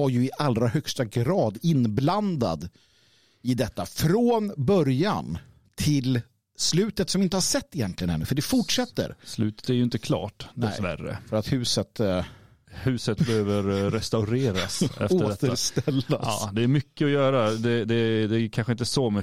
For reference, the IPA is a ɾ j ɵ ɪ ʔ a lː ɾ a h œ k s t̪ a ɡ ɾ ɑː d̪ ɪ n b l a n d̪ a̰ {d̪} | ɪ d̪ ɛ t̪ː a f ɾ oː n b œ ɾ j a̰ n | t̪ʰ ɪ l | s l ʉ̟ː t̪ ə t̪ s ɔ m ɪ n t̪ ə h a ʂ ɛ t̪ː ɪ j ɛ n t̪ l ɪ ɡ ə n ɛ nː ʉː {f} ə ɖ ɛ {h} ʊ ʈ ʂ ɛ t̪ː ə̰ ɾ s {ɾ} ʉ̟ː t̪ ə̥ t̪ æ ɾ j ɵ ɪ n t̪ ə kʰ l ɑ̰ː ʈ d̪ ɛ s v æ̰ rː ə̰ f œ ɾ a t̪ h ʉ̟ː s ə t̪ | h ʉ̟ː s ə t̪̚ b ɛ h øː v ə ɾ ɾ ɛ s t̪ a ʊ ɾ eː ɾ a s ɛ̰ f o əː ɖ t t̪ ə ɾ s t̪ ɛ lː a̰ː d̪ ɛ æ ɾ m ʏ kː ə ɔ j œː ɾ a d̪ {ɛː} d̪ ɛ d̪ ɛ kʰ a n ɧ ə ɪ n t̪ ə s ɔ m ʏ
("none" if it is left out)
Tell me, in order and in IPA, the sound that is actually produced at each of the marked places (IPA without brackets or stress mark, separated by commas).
d̪, f, f, l, ɛ